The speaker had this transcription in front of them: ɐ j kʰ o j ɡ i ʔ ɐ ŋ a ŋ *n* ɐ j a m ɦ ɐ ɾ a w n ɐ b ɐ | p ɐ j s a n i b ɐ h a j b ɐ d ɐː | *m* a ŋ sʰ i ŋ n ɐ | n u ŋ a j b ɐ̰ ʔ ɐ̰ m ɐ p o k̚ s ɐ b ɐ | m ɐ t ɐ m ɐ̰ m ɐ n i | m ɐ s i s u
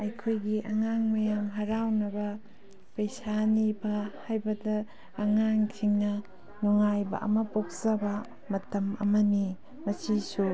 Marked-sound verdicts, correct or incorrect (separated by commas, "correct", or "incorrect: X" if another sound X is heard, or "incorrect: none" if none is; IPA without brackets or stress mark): incorrect: m, incorrect: ŋ